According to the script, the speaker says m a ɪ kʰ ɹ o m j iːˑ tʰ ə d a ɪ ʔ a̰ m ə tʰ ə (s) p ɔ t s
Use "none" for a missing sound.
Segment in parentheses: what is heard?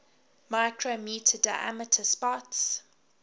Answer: s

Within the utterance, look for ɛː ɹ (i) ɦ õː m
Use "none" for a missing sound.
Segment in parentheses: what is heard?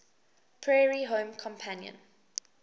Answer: i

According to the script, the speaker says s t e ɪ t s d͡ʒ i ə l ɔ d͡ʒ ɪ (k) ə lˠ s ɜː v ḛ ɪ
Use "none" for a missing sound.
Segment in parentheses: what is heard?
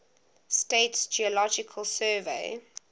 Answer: kʰ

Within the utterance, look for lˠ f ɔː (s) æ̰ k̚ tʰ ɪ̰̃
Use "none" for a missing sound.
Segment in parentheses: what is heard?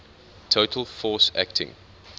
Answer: s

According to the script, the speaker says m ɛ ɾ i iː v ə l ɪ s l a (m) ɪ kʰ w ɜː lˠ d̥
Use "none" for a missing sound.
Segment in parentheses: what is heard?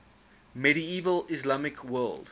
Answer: m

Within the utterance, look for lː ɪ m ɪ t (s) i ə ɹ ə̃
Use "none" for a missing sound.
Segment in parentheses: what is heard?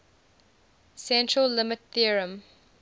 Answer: θ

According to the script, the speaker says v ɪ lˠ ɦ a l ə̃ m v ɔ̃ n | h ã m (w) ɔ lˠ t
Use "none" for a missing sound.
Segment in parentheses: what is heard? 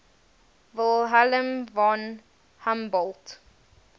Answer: b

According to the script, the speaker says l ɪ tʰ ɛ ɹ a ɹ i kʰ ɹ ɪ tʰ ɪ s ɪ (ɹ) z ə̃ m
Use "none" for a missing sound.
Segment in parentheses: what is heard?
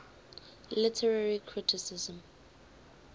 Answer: none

